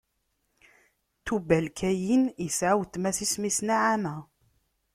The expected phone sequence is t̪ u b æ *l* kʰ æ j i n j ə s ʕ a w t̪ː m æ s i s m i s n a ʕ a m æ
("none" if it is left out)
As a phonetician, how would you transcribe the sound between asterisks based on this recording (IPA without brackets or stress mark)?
l